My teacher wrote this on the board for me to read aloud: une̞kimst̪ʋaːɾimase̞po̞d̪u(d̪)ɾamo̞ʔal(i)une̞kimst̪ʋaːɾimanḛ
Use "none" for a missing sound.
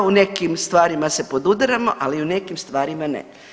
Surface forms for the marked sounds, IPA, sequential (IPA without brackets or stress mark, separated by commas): d̪, i